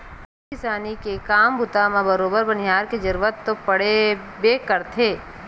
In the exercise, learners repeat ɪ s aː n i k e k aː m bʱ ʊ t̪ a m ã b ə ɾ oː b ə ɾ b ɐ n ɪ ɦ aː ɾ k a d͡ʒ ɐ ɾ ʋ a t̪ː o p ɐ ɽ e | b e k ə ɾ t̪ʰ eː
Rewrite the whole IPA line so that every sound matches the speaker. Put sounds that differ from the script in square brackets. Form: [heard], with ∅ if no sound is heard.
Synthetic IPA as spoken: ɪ s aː n i k e k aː m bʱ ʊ t̪ a m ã b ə ɾ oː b ə ɾ b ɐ n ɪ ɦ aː ɾ k [e] d͡ʒ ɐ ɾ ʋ [ə] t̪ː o p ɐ ɽ e | b e k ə ɾ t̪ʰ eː